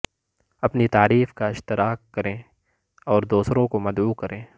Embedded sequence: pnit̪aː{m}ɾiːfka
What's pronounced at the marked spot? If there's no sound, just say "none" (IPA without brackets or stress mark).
none